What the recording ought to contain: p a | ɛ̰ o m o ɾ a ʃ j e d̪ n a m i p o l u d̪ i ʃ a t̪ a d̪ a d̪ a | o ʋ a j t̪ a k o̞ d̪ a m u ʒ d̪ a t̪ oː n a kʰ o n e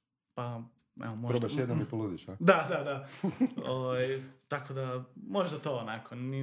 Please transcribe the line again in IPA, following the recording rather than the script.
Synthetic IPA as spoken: p a | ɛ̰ o m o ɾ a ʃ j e d̪ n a m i p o l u d̪ i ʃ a d̪ a d̪ a d̪ a | o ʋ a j t̪ a k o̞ d̪ a m o ʒ d̪ a t̪ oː n a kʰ o n i